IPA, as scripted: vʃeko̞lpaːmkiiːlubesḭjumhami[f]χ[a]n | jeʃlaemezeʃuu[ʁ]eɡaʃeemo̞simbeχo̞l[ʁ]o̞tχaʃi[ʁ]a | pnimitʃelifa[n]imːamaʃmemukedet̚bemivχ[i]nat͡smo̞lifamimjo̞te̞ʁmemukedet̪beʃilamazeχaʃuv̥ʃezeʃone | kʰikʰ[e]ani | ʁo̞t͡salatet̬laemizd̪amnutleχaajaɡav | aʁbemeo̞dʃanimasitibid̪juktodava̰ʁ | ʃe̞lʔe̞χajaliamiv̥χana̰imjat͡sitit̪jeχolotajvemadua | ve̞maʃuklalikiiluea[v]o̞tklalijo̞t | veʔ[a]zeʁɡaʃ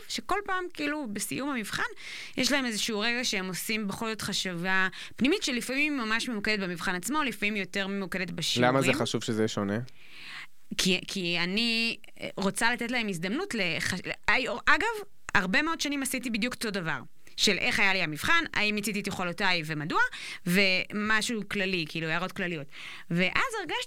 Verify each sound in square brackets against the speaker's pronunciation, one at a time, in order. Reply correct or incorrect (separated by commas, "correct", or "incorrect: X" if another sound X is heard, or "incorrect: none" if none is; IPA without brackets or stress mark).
incorrect: v, correct, correct, incorrect: z, incorrect: v, incorrect: m, incorrect: a, incorrect: i, incorrect: ʁ, correct